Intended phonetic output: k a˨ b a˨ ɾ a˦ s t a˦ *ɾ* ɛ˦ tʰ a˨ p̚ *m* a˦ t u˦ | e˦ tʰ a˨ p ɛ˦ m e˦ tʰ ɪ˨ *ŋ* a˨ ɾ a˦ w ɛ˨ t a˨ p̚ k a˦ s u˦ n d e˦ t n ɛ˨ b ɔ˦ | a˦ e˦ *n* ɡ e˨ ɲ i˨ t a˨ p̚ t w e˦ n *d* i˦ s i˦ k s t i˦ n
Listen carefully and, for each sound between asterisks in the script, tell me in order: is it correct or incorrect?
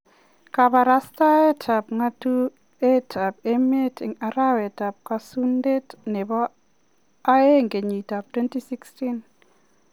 incorrect, incorrect, correct, incorrect, incorrect

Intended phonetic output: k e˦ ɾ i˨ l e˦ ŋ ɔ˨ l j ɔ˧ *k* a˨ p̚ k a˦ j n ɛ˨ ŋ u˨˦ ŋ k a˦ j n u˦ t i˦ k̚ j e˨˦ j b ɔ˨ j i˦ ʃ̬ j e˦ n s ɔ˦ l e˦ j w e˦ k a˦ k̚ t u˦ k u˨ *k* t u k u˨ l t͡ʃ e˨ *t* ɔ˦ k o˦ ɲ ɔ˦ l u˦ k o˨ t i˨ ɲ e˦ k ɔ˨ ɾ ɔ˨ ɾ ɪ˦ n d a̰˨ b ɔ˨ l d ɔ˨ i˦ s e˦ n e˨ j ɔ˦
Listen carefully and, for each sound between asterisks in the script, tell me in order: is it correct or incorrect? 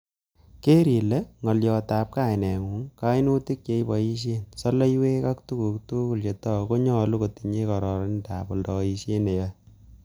incorrect, correct, correct

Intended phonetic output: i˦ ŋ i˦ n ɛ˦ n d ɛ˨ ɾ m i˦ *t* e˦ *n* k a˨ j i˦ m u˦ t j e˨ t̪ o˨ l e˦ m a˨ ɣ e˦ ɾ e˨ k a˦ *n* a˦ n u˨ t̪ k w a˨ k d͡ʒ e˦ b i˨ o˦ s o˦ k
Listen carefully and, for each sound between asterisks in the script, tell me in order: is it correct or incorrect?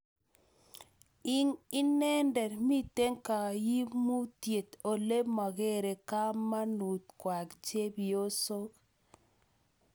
correct, incorrect, incorrect

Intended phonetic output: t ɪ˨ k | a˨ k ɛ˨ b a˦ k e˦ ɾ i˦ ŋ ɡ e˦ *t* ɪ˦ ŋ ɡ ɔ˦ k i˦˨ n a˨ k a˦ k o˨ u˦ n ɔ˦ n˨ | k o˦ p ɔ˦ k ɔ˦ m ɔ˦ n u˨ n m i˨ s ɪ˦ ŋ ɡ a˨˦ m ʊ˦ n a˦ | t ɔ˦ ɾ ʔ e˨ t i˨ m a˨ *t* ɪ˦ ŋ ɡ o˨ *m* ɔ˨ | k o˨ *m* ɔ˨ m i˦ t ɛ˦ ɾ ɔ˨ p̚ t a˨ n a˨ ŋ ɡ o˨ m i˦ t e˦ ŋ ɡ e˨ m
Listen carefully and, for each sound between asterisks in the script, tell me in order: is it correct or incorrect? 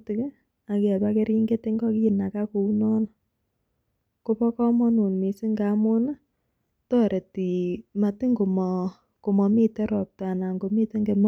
correct, correct, correct, correct

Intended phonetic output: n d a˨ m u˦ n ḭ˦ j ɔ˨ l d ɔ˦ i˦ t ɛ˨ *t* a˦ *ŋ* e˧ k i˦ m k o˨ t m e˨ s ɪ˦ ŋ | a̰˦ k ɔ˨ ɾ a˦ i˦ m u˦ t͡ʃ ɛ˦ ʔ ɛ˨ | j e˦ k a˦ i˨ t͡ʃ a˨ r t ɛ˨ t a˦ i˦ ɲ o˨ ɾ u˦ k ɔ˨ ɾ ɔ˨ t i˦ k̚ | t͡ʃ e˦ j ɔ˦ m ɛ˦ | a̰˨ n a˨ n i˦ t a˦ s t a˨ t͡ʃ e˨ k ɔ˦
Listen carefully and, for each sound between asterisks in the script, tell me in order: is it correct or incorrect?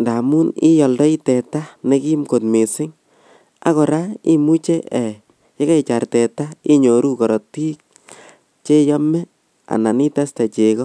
correct, incorrect

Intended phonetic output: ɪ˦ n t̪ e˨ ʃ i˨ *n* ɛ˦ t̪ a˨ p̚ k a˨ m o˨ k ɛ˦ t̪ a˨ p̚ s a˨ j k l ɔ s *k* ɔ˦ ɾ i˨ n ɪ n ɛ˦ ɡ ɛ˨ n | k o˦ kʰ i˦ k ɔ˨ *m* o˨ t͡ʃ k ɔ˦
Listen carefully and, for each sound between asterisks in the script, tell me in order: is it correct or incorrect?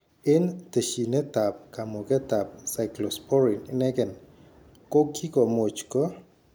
correct, incorrect, correct

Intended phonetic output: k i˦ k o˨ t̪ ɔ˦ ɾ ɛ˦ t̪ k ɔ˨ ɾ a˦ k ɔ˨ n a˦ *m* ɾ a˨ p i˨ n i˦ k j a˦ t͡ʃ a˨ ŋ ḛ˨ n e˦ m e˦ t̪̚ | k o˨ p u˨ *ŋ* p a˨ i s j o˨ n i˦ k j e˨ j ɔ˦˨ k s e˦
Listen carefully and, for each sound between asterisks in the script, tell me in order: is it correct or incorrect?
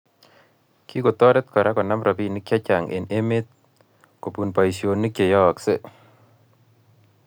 correct, incorrect

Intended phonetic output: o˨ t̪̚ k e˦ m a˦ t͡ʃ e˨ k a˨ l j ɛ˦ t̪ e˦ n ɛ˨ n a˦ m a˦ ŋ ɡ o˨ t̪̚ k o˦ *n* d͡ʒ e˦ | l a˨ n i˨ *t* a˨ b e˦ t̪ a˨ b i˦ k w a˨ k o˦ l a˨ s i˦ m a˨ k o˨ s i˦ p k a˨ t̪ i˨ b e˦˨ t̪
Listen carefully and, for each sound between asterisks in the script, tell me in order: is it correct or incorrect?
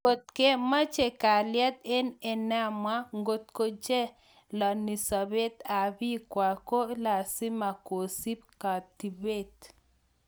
incorrect, incorrect

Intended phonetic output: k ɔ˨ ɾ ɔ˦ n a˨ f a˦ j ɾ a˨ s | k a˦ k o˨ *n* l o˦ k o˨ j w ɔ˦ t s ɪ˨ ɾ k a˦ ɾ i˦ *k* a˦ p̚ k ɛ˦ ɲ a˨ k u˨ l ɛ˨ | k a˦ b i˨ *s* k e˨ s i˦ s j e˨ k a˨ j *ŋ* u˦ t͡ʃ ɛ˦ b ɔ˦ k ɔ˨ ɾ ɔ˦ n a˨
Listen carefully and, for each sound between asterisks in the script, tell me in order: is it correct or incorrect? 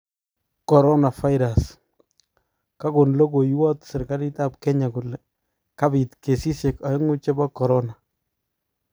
correct, incorrect, incorrect, correct

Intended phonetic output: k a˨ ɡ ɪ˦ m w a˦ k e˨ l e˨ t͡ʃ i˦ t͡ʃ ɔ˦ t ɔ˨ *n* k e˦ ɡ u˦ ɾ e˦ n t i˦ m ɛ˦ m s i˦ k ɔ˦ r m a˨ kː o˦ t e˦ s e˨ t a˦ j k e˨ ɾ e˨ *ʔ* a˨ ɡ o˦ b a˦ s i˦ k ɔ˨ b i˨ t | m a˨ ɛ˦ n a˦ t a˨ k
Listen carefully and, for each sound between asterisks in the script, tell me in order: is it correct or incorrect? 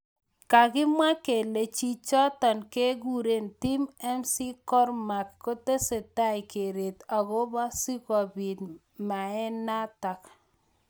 correct, incorrect

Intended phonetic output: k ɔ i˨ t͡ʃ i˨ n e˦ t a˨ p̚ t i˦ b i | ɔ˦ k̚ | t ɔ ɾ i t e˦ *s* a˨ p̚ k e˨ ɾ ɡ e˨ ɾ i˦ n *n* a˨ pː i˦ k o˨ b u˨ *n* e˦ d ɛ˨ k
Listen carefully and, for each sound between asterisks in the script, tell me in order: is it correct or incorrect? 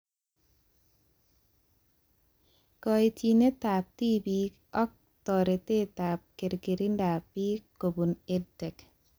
incorrect, incorrect, correct

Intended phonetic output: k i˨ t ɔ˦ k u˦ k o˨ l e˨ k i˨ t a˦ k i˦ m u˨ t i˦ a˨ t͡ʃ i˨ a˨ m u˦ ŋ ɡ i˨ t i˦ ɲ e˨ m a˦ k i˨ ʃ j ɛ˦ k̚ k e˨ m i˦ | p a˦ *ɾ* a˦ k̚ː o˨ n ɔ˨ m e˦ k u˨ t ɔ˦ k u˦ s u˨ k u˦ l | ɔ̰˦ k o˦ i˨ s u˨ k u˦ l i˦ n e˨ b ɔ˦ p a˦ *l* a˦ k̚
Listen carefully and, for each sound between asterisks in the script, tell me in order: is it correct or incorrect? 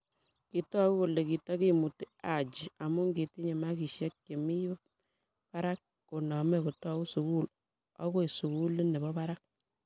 correct, incorrect

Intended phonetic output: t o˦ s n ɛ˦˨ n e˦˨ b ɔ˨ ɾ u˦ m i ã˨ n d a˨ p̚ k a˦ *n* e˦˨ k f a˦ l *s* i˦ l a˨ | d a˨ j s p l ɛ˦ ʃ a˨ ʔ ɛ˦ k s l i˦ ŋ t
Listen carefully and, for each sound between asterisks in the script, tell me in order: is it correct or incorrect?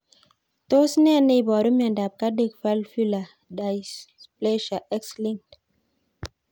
incorrect, incorrect

